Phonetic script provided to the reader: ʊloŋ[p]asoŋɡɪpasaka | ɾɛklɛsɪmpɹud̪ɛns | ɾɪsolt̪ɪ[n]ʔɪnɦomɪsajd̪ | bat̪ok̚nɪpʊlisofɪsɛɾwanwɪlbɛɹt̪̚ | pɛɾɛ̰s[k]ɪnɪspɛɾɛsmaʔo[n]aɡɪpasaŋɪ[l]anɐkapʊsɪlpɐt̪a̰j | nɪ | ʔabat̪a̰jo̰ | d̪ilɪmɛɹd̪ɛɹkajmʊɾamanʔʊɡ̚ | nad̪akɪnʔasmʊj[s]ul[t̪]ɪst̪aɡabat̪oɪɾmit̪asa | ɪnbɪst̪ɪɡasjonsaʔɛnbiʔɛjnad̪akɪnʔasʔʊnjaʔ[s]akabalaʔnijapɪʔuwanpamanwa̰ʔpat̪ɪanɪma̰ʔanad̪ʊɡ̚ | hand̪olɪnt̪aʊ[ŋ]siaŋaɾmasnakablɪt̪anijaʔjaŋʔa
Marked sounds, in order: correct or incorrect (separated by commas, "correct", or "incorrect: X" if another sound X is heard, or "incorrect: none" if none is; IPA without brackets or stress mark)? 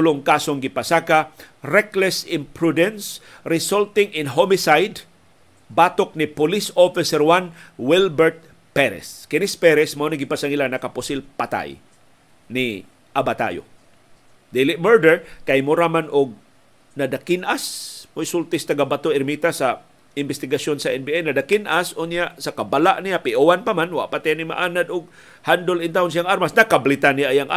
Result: incorrect: k, incorrect: ŋ, correct, correct, correct, correct, correct, correct, incorrect: n